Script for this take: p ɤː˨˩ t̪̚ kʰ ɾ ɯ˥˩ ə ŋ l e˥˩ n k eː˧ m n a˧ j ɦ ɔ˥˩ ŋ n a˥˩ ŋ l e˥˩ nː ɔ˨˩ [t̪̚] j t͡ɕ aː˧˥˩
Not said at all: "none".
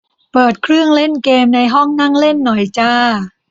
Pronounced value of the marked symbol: none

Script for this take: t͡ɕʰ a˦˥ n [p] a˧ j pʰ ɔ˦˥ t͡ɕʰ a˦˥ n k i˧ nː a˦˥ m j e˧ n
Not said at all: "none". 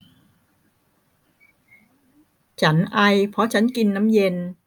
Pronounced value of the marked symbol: ʔ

